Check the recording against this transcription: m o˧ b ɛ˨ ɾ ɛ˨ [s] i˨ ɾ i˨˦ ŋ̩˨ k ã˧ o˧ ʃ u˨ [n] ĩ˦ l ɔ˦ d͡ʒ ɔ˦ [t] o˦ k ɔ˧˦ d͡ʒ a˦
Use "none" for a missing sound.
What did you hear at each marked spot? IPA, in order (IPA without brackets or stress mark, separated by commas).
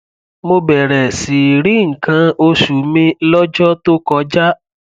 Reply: s, m, t